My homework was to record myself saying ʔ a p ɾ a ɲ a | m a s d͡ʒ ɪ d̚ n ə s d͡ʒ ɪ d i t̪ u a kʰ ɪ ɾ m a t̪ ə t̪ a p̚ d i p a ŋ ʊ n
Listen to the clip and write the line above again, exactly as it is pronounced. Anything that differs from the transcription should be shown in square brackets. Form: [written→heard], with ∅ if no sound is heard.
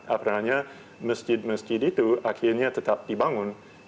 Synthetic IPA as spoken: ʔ a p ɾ a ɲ a | m [a→ə] s d͡ʒ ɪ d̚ [n→m] ə s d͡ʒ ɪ d i t̪ u a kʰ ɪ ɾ [m→ɲ] a t̪ ə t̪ a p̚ d i [p→b] a ŋ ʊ n

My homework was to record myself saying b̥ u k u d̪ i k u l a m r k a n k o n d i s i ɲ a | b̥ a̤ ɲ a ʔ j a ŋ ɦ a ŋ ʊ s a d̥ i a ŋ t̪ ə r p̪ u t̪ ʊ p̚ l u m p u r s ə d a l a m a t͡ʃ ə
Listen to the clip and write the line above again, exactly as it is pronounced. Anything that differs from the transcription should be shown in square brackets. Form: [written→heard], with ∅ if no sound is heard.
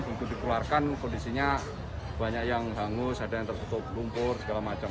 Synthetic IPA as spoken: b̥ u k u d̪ i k u l a [m→∅] r k a n k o n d i s i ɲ a | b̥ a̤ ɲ a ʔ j a ŋ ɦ a ŋ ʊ s a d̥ [i→a] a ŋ t̪ ə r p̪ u t̪ ʊ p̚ l u m p [u→ʊ] r s ə [d→ɡ] a l a m a t͡ʃ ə

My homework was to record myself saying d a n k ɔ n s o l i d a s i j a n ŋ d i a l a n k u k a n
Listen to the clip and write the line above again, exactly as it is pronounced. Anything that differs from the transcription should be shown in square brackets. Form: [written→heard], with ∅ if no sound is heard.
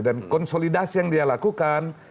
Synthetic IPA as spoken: d a n k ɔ n s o l i d a s i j a [n→∅] ŋ d i a l a [n→∅] k u k a n

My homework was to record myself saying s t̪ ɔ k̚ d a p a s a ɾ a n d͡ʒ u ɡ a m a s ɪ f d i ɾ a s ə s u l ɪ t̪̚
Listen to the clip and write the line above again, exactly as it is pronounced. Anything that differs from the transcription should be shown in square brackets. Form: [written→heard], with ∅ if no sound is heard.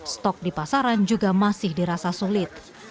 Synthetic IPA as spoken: s t̪ ɔ k̚ d [a→i] p a s a ɾ a n d͡ʒ u ɡ a m a s ɪ [f→h] d i ɾ a s [ə→a] s u l ɪ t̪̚

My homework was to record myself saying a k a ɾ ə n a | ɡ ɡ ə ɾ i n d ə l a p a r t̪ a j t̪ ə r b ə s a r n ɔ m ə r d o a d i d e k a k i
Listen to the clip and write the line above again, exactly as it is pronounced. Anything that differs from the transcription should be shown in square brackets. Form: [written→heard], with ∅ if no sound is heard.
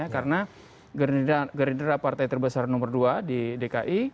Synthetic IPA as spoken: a k a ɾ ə n a | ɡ ɡ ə ɾ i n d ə [l→ɾ] a p a r t̪ a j t̪ ə r b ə s a r n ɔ m ə r d [o→u] a d i d e k a [k→ʔ] i

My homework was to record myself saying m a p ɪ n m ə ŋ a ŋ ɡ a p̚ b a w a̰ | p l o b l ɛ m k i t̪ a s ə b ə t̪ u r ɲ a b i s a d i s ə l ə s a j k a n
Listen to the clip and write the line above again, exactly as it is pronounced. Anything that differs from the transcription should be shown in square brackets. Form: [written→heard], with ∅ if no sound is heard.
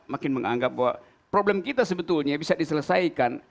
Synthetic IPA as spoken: m a [p→k] ɪ n m ə ŋ a ŋ ɡ a p̚ b a w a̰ | p [l→ɾ] o b l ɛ m k i t̪ a s ə b ə t̪ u [r→l] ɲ a b i s a d i s ə l ə s a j k a n

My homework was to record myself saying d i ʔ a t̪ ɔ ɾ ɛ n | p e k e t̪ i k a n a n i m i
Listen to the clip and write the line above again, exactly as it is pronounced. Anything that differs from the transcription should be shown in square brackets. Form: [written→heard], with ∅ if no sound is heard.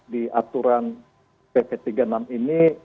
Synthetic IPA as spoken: d i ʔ a t̪ [ɔ→u] ɾ [ɛ→a] n | p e [k→p] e t̪ i [k→ɡ] a n a [n→m] i [m→n] i

